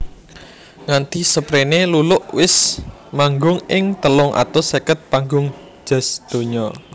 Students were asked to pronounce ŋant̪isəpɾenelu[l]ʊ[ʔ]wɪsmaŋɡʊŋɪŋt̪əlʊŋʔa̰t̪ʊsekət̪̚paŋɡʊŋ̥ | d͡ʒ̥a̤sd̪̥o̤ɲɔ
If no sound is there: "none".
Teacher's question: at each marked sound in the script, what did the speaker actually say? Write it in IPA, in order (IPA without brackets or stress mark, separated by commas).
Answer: l, ʔ